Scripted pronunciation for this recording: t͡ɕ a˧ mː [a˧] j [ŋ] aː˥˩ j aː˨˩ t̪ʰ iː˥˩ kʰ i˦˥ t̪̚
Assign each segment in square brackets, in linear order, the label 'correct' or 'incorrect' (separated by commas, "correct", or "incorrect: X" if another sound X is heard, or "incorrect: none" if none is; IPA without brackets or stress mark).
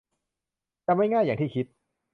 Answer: incorrect: a˥˩, correct